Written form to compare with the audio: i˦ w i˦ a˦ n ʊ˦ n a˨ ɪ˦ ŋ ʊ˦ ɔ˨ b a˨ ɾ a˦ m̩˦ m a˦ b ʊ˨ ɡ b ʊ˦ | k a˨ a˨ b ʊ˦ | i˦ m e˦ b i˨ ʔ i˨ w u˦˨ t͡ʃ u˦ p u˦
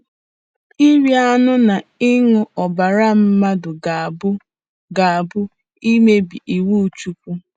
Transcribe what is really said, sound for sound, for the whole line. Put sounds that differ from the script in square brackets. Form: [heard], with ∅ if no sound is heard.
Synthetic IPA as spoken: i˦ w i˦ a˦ n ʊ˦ n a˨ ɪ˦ ŋ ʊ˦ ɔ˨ b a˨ ɾ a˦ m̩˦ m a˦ [d] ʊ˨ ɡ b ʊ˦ | [ɡ] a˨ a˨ b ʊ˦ | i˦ m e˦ b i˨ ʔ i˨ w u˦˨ t͡ʃ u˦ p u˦